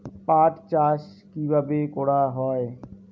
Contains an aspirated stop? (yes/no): no